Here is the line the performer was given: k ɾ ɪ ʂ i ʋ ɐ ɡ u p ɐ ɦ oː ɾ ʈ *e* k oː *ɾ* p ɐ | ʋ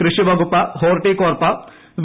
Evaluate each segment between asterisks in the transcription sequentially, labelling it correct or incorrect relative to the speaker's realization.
incorrect: i, correct

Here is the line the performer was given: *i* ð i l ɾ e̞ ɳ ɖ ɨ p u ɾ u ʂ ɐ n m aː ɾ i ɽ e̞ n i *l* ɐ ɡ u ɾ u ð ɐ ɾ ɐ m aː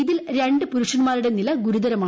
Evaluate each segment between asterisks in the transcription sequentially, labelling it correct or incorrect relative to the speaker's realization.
correct, correct

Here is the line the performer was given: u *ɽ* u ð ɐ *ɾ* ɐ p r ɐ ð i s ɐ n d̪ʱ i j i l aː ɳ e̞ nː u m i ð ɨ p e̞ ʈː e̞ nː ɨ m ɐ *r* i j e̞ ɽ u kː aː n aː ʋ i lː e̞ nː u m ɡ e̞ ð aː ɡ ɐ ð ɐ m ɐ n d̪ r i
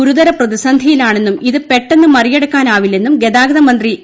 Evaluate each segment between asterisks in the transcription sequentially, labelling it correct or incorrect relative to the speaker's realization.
incorrect: ɾ, correct, correct

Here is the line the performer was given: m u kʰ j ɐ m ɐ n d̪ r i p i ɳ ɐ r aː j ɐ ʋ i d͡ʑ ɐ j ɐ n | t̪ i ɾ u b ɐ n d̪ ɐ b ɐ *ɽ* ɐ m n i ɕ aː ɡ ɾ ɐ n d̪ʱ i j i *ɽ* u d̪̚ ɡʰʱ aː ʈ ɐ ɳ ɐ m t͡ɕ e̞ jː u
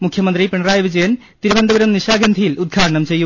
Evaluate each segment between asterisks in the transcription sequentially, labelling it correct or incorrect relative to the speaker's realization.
incorrect: ɾ, incorrect: l

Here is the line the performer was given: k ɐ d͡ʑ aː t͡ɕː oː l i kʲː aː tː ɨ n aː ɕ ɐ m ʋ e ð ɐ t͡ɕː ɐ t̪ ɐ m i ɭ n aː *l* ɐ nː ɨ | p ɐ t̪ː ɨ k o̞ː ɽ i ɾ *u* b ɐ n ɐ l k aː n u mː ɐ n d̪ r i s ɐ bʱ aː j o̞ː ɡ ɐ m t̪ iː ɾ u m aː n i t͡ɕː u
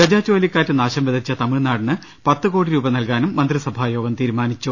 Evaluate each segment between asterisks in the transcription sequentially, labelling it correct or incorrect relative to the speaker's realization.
incorrect: ɽ, incorrect: uː

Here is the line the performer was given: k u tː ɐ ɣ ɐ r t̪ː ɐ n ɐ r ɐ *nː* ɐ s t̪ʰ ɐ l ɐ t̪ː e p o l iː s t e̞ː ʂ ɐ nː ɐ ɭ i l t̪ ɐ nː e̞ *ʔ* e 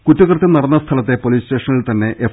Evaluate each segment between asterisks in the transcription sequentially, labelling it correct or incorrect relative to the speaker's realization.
correct, correct

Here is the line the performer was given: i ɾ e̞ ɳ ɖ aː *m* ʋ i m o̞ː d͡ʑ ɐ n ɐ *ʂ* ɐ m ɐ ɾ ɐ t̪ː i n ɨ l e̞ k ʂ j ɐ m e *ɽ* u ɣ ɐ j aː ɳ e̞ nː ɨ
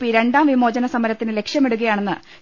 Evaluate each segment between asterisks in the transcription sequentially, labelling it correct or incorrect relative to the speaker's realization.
correct, incorrect: s, correct

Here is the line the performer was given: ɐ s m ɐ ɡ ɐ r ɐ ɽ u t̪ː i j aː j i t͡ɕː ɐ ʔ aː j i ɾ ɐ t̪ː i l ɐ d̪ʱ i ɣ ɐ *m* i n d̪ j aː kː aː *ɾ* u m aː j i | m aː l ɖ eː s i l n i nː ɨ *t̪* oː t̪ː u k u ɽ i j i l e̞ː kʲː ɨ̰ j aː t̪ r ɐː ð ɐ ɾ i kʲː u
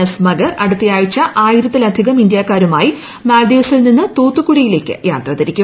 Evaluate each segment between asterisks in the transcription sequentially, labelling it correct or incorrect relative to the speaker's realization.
correct, correct, correct

